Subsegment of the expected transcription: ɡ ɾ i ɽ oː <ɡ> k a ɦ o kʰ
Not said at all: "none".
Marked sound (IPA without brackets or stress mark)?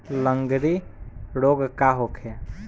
ɡ